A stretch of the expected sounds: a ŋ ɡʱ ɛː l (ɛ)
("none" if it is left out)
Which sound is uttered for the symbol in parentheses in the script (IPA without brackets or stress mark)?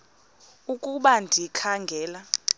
a